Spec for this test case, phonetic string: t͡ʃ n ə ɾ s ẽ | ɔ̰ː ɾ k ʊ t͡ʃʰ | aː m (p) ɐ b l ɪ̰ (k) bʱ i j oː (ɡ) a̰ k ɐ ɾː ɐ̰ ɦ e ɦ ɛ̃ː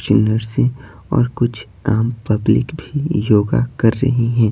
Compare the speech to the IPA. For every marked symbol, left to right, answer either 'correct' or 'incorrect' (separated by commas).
correct, correct, correct